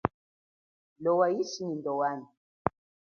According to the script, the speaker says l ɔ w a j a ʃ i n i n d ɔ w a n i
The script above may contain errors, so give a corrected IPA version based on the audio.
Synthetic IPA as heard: l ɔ w a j i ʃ i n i n d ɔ w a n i